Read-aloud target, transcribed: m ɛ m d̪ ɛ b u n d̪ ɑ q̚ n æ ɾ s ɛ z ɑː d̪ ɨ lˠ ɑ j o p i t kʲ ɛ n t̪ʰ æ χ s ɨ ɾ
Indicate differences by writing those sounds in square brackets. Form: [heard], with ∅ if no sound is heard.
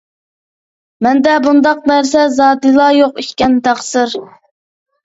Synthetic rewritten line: m ɛ [n] d̪ ɛ b u n d̪ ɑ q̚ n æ ɾ s ɛ z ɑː d̪ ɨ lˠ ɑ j o [q] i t kʲ ɛ n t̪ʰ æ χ s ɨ ɾ